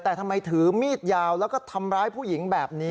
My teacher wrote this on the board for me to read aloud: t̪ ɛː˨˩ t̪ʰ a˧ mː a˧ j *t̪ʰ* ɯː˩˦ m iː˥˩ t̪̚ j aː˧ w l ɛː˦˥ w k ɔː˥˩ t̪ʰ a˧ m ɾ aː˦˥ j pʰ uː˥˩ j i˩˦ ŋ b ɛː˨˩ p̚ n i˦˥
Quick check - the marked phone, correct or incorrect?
correct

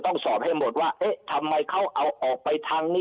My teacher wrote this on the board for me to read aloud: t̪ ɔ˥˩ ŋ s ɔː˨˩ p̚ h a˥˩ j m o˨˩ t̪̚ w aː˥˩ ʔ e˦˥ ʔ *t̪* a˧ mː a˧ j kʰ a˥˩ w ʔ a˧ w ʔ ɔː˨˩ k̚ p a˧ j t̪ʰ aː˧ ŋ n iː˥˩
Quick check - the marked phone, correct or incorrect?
incorrect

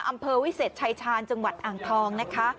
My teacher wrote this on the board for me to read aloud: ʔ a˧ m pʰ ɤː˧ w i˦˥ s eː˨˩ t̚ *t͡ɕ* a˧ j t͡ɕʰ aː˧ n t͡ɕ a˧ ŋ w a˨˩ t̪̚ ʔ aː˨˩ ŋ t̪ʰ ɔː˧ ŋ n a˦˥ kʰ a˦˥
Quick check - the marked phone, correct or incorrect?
incorrect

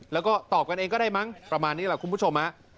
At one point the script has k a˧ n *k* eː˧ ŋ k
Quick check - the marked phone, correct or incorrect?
incorrect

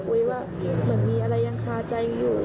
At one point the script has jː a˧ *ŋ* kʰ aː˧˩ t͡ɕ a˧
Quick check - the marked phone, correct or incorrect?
correct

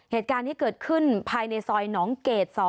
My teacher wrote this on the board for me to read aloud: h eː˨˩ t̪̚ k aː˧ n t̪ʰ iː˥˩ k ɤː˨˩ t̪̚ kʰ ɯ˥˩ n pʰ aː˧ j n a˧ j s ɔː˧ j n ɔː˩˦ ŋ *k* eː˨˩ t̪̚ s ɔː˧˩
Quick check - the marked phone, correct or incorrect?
correct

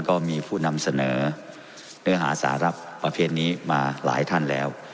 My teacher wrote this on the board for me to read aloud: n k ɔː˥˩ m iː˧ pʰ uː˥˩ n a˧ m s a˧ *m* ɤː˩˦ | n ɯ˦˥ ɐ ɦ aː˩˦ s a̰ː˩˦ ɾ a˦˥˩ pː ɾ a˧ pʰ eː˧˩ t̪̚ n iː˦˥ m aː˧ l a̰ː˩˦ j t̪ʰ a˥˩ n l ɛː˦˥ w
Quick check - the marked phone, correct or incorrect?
incorrect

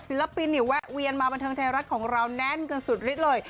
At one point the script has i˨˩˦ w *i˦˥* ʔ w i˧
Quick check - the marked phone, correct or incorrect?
incorrect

